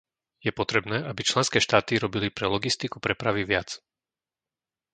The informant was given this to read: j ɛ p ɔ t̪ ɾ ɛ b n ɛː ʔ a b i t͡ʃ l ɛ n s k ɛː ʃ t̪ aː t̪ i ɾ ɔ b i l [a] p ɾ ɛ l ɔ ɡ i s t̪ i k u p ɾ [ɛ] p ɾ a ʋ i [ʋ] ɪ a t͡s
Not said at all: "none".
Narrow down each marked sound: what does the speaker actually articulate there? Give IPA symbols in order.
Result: i, ɛ, ʋ

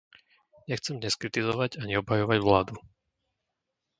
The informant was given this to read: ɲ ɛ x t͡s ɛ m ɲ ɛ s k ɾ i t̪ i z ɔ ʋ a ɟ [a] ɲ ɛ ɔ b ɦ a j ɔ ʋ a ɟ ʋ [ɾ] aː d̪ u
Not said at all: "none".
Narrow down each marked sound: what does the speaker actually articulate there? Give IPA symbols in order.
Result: a, l

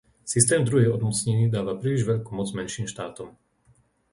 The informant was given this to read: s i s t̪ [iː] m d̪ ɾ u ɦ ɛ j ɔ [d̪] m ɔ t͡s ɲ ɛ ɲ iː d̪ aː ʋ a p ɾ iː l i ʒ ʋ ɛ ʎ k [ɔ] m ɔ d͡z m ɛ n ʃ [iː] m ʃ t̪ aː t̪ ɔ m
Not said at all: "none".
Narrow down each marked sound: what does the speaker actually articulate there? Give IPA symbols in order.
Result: ɛː, d̪, u, iː

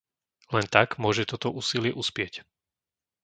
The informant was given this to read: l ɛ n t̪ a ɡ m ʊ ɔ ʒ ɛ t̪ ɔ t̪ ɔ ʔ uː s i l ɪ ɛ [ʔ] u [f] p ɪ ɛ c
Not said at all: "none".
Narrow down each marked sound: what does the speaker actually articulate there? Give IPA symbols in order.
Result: ʔ, s

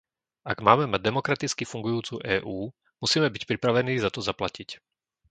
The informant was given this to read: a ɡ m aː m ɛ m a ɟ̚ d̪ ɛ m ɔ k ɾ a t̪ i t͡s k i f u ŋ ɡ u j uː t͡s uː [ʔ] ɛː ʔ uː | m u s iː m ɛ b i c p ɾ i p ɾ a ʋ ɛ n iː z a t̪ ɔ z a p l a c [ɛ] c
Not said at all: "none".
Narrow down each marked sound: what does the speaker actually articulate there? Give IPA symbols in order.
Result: ʔ, i

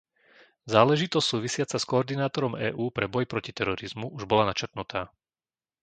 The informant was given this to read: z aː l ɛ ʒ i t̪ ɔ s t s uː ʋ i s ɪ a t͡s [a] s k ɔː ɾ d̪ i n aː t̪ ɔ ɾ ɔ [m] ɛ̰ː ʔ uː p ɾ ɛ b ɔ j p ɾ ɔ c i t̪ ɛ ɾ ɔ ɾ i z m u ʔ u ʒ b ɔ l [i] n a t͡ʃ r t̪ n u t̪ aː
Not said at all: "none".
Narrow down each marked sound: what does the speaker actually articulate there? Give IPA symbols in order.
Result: a, m, a

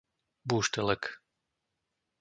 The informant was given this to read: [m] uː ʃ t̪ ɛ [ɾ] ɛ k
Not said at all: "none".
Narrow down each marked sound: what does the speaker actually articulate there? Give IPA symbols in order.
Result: b, l

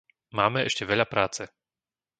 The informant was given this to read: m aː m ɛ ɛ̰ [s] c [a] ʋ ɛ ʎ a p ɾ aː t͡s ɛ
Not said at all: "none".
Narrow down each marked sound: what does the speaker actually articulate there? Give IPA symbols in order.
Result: ʃ, ɛ

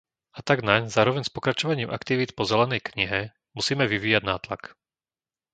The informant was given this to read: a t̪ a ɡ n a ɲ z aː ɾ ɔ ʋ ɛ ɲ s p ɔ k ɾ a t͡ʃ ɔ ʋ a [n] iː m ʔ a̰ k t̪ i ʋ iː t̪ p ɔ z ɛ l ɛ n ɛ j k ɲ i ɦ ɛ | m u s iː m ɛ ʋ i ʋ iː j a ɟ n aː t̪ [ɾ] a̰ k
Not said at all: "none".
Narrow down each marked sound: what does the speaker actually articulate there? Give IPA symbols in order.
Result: ɲ, l

